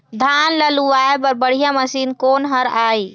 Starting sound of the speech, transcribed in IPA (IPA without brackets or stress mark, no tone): d̪ʱ